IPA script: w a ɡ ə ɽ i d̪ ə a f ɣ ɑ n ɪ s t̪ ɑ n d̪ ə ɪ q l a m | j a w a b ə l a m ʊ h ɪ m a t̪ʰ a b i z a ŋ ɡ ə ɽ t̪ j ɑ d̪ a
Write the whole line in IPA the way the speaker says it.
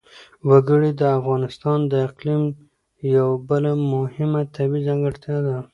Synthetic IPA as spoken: w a ɡ ə ɽ i d̪ ə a f ɣ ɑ n ɪ s t̪ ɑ n d̪ ə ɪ q l i m | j a w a b ə l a m ʊ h ɪ m a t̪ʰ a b i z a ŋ ɡ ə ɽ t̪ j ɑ d̪ a